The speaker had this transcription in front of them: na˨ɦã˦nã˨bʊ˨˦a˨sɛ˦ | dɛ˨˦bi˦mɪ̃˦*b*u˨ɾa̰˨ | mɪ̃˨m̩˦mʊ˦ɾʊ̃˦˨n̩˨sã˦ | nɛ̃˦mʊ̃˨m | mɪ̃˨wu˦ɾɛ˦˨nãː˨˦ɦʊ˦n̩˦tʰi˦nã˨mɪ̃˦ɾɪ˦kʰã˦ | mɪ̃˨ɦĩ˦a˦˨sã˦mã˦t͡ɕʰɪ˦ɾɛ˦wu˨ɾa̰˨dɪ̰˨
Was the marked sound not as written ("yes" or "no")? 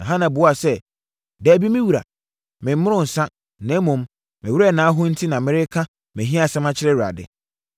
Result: yes